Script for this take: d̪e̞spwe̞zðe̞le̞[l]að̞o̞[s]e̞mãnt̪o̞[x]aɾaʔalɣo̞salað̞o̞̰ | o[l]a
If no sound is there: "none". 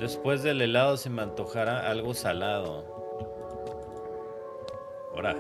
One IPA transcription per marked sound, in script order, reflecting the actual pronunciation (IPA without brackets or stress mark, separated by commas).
l, s, x, ɾ